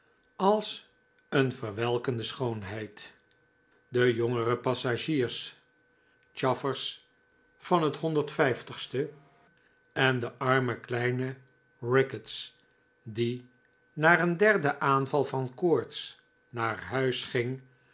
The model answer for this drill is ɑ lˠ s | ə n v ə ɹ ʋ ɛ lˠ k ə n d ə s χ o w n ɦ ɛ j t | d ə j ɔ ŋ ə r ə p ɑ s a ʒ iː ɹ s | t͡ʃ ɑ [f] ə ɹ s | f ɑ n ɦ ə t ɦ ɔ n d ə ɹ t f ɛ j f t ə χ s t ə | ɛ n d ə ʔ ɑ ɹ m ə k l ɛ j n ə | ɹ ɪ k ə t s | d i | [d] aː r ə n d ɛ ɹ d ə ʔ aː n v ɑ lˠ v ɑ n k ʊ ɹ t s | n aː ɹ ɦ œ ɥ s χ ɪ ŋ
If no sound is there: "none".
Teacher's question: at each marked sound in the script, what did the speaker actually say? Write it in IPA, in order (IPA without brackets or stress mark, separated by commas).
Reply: f, n